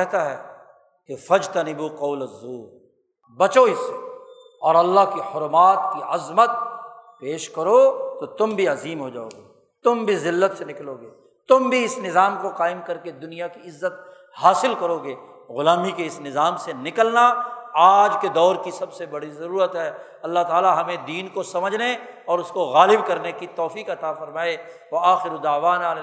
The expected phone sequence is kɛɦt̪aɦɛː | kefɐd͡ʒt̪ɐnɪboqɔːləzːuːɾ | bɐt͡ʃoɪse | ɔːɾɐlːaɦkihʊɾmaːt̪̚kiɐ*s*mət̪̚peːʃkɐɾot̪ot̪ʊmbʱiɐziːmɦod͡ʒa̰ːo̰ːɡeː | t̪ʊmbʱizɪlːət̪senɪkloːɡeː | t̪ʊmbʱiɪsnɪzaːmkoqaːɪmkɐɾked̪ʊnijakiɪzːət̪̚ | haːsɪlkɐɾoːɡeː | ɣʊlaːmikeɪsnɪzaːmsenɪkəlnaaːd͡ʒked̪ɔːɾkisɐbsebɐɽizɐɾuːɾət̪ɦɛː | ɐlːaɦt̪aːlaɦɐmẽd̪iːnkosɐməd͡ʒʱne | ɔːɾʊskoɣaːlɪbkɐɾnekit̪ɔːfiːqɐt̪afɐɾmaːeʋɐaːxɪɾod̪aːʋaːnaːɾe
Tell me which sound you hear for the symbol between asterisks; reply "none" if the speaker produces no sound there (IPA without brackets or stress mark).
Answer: z